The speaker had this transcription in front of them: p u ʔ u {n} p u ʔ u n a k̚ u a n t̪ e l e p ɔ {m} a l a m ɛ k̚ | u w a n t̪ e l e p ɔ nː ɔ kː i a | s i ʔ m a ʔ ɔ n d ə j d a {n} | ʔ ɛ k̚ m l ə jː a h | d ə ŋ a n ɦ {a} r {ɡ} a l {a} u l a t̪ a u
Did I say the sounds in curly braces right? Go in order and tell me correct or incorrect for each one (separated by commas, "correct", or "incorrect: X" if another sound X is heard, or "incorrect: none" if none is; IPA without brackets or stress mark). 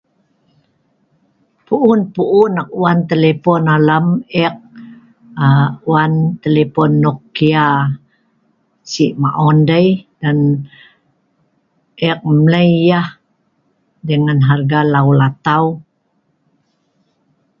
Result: correct, incorrect: n, correct, correct, correct, correct